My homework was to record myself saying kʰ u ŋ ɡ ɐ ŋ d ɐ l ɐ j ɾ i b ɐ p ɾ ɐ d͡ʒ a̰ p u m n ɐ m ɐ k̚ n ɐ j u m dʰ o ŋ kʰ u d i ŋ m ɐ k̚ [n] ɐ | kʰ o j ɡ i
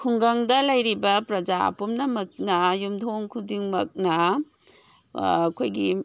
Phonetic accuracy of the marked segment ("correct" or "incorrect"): correct